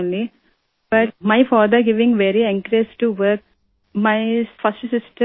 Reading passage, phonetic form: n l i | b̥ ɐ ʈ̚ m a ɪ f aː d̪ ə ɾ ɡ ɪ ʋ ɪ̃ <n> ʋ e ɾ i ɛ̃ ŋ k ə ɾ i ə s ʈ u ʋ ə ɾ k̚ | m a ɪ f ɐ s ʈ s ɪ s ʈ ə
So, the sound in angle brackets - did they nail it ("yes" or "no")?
no